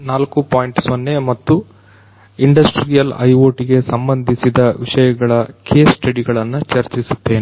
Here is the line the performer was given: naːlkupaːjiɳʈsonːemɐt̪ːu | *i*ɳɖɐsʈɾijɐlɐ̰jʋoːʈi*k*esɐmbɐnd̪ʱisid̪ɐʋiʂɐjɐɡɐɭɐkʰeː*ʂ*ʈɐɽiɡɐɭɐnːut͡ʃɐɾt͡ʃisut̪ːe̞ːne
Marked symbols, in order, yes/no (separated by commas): yes, no, no